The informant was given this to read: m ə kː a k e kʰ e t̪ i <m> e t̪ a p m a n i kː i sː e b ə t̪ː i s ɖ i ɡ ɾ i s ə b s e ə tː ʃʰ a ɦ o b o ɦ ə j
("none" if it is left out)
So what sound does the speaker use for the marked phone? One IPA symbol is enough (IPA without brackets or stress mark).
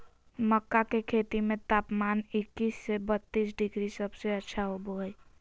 m